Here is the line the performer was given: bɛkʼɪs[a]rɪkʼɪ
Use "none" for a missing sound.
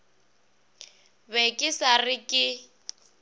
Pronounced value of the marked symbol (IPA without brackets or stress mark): a